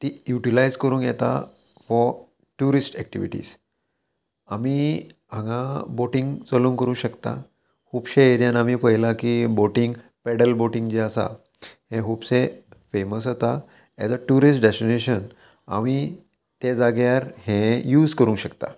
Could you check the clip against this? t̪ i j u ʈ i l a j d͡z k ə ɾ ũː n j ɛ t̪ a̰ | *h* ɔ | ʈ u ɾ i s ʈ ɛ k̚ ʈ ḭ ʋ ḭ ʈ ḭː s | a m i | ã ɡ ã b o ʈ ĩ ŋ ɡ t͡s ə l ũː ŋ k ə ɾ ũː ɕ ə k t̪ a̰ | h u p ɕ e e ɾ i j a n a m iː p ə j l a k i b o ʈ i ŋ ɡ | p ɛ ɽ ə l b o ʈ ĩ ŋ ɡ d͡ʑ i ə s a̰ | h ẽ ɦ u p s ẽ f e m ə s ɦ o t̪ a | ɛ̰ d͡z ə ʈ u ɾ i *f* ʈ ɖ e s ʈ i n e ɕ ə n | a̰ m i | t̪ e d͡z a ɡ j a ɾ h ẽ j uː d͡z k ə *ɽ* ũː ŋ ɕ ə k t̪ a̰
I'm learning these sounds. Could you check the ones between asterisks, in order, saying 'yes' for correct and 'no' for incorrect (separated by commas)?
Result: no, no, no